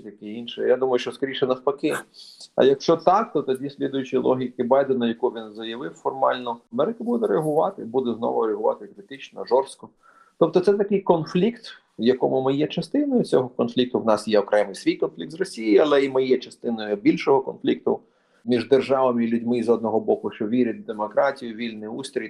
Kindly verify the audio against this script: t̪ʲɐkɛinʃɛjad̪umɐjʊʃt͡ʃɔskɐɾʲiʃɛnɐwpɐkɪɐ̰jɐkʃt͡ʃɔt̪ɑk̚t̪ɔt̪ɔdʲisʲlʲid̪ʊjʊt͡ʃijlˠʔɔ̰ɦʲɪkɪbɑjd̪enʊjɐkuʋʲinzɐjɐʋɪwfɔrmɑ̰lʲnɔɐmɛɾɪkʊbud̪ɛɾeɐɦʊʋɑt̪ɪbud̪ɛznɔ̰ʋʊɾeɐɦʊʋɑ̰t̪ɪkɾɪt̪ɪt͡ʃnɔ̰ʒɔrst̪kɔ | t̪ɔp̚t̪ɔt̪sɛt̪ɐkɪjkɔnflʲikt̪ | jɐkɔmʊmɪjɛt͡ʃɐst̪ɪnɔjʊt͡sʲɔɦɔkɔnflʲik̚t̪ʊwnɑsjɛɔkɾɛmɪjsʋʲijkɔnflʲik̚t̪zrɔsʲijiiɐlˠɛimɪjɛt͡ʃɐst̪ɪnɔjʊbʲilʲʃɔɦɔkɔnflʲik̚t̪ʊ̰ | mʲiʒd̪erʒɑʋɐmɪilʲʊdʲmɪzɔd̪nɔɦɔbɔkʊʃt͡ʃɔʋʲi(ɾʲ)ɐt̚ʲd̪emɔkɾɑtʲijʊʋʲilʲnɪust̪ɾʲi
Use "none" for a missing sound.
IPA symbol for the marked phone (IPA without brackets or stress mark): ɾʲ